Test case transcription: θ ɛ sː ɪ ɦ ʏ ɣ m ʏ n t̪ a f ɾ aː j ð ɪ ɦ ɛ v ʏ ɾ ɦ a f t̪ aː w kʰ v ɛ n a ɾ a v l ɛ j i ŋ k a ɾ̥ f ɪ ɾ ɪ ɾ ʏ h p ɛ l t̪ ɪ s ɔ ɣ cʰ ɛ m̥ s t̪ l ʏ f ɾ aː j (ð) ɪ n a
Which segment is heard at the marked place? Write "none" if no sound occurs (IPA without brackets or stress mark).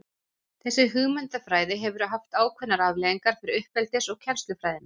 ð